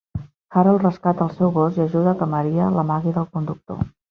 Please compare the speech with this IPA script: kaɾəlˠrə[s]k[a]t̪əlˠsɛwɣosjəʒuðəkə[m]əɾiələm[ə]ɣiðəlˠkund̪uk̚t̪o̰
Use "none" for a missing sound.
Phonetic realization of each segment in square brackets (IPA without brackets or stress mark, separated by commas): s, a, m, a